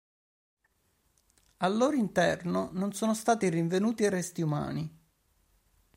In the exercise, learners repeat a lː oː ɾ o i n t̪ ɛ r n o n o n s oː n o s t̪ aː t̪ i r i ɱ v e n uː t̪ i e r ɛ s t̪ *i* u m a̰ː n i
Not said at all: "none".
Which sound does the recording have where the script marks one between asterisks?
i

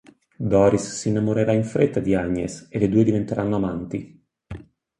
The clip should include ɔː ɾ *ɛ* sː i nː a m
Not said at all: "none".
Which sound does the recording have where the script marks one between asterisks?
i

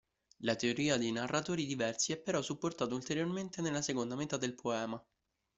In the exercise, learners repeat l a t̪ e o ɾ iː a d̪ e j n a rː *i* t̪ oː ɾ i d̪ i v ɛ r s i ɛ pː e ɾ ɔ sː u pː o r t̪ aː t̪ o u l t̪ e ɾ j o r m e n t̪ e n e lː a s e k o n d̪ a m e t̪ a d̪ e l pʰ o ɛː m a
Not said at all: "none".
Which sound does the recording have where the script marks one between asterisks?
a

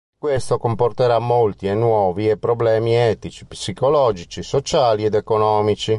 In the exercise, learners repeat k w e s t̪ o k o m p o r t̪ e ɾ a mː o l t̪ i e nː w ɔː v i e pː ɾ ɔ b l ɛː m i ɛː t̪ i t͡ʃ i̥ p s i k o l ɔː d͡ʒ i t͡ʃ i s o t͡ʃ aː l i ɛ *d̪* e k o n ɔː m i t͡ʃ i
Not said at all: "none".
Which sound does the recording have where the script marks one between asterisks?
d̪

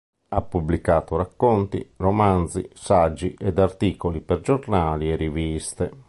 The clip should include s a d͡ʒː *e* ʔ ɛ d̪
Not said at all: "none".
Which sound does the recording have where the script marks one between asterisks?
i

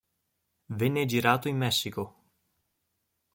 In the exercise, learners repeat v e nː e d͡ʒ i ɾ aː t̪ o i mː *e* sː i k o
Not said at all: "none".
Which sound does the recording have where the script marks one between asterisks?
ɛ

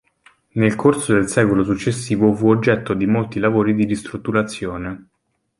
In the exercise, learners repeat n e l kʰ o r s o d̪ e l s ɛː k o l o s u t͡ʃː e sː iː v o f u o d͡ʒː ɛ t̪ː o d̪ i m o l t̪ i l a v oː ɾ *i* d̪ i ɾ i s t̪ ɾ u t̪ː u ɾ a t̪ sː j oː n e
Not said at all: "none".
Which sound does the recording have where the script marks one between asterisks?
i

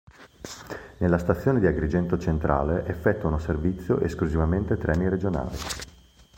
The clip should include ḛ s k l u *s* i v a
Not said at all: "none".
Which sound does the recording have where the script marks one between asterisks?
z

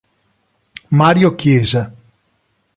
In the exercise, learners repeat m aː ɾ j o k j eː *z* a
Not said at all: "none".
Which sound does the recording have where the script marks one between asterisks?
z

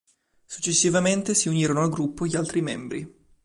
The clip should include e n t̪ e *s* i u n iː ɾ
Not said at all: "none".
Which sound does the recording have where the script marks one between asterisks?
s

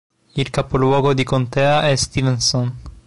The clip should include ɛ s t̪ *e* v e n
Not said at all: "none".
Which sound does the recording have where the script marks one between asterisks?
i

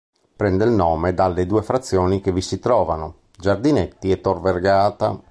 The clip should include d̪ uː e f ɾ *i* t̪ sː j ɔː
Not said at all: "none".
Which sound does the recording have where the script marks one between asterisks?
a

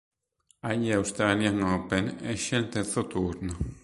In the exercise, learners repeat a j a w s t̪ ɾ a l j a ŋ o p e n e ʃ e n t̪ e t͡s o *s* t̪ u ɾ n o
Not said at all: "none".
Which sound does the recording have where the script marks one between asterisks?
none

